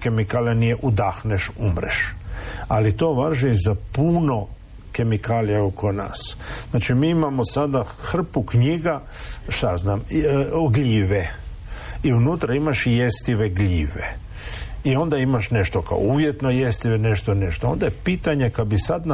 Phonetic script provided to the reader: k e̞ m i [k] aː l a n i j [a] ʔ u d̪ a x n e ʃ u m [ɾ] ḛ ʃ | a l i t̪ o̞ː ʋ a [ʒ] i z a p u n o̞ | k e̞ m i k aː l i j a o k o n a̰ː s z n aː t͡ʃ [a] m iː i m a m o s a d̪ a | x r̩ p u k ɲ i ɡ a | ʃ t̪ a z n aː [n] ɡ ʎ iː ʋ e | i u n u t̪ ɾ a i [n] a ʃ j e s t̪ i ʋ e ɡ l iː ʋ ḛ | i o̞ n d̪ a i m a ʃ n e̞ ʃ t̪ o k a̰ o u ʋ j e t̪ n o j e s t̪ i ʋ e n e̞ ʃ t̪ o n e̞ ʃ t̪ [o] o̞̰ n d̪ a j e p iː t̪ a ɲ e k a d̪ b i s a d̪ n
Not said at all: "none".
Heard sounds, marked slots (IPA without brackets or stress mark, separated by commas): k, e, ɾ, ʒ, i, m, m, o